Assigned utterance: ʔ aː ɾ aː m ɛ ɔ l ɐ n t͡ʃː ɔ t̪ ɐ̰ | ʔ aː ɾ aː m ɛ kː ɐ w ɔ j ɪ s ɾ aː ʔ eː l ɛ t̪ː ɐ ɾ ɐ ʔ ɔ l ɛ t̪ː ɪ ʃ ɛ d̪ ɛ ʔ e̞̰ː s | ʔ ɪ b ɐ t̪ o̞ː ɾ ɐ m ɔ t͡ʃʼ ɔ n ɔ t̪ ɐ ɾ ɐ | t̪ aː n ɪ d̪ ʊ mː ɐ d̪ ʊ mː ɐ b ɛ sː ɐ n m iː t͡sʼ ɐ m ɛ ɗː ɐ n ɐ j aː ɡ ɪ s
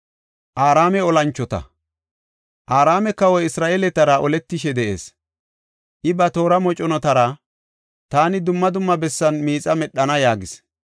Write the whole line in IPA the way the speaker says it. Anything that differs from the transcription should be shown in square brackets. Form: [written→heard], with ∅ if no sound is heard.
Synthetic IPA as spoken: ʔ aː ɾ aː m ɛ ɔ l ɐ n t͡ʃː ɔ t̪ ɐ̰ | ʔ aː ɾ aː m ɛ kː ɐ w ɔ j ɪ s ɾ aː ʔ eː l ɛ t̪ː ɐ ɾ ɐ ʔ ɔ l ɛ t̪ː ɪ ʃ ɛ d̪ ɛ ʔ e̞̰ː s | ʔ ɪ b ɐ t̪ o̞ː ɾ ɐ m ɔ t͡ʃʼ ɔ n ɔ t̪ ɐ ɾ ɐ | t̪ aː n ɪ d̪ ʊ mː ɐ d̪ ʊ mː ɐ b ɛ sː ɐ n m iː t͡sʼ ɐ m ɛ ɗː ɐ n ɐ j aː ɡ ɪ s